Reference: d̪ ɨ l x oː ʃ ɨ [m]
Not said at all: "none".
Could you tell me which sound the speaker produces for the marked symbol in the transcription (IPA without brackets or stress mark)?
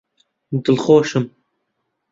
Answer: m